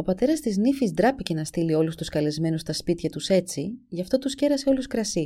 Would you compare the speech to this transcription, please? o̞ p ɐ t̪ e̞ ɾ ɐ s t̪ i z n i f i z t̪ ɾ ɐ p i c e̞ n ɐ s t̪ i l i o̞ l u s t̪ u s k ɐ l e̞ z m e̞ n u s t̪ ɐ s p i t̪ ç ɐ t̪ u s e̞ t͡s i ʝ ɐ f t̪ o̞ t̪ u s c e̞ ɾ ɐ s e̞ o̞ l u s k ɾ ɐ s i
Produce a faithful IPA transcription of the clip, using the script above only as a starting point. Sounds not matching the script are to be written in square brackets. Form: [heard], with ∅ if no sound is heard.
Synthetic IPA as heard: o̞ p ɐ t̪ e̞ ɾ ɐ s t̪ i z n i f i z [d̪] ɾ ɐ p i c e̞ n ɐ s t̪ i l i o̞ l u s t̪ u s k ɐ l e̞ z m e̞ n u s t̪ ɐ s p i t̪ ç ɐ t̪ u s e̞ t͡s i ʝ ɐ f t̪ o̞ t̪ u s c e̞ ɾ ɐ s e̞ o̞ l u s k ɾ ɐ s i